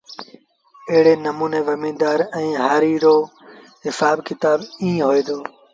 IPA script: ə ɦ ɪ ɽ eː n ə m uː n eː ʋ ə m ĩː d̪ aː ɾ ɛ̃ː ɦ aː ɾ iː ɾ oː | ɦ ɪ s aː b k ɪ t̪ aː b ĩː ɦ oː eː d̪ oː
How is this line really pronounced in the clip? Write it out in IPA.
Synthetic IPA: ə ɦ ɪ ɽ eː n ə m uː n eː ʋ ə m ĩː d̪ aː ɾ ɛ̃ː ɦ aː ɾ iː ɾ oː | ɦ ɪ s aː b k ɪ t̪ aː b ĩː ɦ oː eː d̪ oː